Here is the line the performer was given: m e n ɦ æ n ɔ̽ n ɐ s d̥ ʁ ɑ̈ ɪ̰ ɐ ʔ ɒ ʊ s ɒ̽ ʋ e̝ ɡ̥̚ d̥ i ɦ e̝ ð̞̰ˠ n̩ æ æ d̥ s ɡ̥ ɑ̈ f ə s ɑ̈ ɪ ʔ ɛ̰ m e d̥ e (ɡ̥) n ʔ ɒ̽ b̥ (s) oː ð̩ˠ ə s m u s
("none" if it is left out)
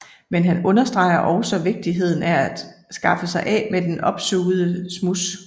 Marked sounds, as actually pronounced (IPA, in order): none, s

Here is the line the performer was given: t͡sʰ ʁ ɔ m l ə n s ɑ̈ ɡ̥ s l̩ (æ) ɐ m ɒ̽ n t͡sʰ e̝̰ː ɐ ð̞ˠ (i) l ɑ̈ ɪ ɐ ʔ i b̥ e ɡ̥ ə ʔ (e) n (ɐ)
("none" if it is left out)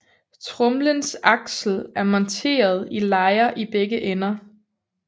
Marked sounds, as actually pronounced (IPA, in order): æ, i, e, ɐ

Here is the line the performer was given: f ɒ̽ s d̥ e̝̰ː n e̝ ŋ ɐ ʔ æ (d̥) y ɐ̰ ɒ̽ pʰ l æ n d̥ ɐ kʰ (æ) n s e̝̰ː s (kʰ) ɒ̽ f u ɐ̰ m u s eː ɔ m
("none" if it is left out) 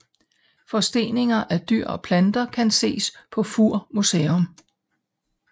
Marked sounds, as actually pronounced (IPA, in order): d̥, æ, pʰ

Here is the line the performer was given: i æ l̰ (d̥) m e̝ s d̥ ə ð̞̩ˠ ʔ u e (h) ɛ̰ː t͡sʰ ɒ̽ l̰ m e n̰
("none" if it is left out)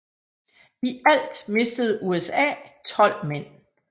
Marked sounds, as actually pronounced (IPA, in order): d̥, s

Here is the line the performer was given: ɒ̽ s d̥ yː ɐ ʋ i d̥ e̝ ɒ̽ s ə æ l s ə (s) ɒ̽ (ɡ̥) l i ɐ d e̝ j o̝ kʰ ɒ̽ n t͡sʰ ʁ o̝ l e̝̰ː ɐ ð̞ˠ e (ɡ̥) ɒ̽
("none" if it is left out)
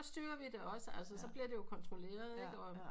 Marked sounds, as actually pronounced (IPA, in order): s, b̥, ɡ̥

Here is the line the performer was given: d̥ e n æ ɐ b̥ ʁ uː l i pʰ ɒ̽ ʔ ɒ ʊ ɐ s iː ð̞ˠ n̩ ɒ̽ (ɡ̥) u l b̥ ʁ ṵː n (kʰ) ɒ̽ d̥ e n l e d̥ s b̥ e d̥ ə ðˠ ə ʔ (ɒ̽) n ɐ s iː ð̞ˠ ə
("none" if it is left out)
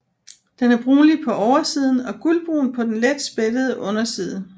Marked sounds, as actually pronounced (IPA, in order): ɡ̥, pʰ, ɔ̽

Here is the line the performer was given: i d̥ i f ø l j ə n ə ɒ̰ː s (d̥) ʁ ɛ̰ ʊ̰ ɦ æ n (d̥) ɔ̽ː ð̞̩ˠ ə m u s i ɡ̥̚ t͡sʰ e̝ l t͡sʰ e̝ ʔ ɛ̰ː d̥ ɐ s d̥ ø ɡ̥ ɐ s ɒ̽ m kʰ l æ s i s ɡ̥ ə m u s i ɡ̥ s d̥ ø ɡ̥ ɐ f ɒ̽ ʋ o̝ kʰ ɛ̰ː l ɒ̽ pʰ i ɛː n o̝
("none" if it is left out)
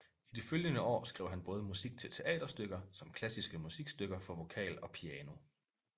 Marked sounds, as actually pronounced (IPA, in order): ɡ̥, b̥

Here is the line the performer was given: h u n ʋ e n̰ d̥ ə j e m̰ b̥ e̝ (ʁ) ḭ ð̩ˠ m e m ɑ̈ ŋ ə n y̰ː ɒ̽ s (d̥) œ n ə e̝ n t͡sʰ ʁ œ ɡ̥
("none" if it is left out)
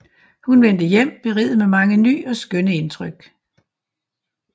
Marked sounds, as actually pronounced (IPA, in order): ʁ, ɡ̥

